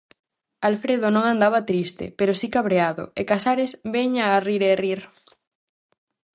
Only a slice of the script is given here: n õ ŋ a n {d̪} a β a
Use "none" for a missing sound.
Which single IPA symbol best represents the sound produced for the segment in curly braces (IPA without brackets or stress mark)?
d̪